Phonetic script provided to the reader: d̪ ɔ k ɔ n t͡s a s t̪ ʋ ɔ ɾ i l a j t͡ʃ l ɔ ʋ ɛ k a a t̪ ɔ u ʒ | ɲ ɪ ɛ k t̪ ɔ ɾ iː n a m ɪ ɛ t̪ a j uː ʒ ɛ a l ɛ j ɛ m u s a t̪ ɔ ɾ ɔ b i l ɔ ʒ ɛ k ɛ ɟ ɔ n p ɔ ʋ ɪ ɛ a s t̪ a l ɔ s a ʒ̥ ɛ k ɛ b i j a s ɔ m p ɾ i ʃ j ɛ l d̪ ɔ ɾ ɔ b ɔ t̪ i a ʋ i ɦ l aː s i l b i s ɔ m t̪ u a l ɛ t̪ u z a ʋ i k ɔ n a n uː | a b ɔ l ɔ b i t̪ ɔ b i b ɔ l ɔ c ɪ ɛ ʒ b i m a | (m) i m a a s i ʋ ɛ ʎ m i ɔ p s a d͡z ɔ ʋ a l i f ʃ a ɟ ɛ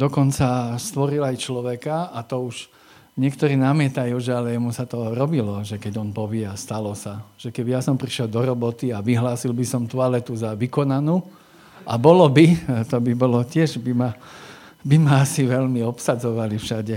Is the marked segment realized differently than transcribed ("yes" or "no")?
yes